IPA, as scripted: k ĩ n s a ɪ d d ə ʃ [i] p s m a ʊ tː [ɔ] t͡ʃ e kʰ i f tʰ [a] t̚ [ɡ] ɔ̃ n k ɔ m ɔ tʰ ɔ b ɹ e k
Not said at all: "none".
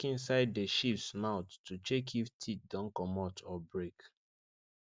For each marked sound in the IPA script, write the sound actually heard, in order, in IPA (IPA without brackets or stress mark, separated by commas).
i, u, i, d